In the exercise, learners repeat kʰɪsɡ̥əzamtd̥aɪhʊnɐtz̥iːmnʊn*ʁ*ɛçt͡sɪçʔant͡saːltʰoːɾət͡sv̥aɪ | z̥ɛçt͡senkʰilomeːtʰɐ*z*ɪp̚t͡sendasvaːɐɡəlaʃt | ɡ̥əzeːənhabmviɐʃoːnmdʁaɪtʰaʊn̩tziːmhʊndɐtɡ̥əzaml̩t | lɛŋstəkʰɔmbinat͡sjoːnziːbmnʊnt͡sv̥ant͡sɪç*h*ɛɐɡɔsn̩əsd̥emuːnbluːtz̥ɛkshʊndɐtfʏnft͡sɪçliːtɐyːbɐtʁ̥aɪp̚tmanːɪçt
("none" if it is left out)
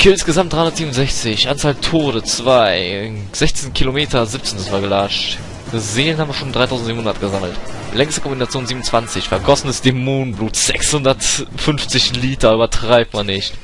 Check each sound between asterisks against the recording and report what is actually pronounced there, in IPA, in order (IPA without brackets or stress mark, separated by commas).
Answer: z, z, f